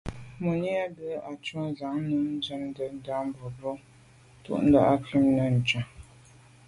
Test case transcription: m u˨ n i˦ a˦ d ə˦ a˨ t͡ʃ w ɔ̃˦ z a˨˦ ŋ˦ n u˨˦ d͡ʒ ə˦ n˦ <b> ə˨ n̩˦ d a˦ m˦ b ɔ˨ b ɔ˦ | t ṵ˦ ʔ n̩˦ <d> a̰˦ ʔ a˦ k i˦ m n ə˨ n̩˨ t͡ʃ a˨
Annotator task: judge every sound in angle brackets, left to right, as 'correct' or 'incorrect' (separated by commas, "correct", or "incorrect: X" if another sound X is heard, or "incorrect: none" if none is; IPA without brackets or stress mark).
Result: incorrect: d, correct